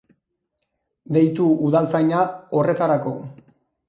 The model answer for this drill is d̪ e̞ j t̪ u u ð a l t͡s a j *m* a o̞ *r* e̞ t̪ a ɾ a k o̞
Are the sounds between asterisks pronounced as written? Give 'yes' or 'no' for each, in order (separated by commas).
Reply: no, yes